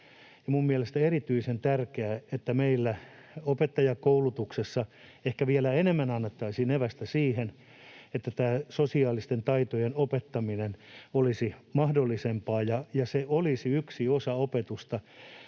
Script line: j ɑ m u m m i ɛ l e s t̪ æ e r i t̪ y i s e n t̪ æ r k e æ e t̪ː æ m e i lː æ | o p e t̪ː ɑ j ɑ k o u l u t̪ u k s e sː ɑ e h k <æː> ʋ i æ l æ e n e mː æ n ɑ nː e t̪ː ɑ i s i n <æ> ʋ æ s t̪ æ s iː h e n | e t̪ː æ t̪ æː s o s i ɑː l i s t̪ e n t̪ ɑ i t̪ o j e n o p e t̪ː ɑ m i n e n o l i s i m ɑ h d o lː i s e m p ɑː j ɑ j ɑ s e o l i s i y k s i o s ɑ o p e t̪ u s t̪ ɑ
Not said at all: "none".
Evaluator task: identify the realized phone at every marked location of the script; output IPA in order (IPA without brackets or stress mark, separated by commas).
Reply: æ, e